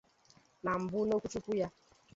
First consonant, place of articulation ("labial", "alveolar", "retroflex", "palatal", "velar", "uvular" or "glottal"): alveolar